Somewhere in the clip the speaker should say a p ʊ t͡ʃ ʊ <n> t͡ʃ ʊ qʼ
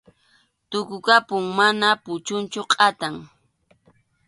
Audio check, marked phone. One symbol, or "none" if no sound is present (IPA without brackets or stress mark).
n